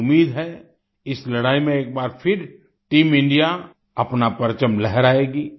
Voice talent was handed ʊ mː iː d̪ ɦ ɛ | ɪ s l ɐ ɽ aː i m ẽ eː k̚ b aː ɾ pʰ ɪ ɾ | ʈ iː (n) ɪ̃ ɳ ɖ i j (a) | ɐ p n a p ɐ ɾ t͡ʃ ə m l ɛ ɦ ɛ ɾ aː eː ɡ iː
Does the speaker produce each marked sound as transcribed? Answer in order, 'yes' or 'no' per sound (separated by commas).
no, yes